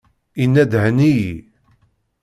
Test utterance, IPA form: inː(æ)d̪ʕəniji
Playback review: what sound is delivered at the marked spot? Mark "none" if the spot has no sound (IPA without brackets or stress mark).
æ